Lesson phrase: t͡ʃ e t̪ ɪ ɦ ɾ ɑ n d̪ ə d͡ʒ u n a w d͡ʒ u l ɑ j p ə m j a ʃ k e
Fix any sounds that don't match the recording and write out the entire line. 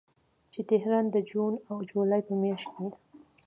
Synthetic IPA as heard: t͡ʃ e t̪ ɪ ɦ ɾ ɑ n d̪ ə d͡ʒ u n a w d͡ʒ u l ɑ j p ə m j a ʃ k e